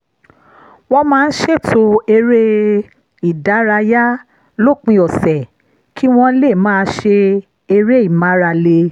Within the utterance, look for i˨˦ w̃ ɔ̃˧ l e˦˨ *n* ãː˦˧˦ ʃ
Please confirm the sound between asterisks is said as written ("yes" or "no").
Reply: no